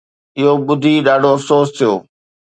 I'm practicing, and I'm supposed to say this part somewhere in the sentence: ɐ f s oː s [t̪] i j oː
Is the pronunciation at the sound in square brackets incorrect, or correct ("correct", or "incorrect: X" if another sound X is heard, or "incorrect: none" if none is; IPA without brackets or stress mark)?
incorrect: t̪ʰ